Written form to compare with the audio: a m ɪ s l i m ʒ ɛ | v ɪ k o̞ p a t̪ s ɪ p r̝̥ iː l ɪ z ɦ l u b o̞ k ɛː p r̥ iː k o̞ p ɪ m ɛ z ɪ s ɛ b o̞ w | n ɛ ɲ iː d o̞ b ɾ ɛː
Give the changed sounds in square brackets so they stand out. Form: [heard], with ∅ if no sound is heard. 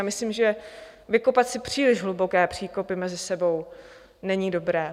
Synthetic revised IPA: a m ɪ s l i m ʒ ɛ | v ɪ k o̞ p a t̪ s ɪ p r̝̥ iː l ɪ [ʒ] ɦ l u b o̞ k ɛː p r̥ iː k o̞ p ɪ m ɛ z ɪ s ɛ b o̞ w | n ɛ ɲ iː d o̞ b ɾ ɛː